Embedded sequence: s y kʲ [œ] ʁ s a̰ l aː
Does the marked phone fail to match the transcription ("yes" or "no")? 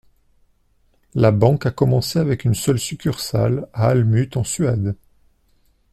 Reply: yes